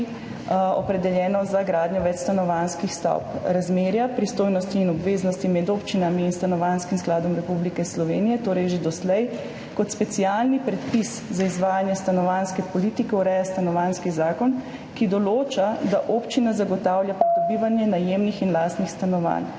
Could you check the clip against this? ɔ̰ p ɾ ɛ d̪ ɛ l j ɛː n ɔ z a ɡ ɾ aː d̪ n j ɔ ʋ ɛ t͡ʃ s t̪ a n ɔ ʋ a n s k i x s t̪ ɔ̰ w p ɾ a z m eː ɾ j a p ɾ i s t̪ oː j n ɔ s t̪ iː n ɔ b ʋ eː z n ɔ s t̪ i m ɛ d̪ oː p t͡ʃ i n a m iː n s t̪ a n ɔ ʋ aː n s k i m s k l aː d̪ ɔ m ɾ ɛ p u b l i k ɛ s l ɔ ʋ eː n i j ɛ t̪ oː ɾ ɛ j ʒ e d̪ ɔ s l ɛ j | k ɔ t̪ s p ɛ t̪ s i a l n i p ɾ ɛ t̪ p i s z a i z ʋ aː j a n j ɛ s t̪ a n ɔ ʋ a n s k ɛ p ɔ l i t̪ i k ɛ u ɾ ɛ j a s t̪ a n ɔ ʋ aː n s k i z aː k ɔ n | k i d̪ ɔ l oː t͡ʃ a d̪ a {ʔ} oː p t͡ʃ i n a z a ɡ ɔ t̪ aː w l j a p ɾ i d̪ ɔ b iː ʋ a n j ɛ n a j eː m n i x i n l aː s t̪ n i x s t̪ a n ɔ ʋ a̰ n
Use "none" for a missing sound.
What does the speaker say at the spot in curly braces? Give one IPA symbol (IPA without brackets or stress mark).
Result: ʔ